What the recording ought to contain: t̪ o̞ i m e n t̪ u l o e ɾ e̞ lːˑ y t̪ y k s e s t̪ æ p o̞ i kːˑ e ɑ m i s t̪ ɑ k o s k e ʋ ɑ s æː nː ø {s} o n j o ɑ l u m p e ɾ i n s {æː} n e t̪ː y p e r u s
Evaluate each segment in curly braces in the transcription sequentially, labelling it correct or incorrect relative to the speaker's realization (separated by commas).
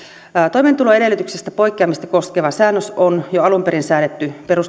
correct, correct